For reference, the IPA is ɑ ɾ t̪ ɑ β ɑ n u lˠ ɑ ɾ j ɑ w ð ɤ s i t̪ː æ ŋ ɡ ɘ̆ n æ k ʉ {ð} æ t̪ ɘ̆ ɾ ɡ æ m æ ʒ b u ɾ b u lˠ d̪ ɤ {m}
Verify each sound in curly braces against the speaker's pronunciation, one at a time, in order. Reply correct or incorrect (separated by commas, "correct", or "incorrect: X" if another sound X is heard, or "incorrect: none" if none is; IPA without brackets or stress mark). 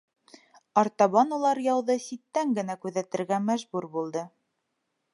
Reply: correct, incorrect: none